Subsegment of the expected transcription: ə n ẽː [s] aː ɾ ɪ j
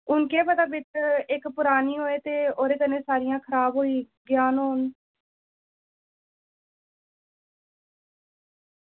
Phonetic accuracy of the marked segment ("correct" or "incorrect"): correct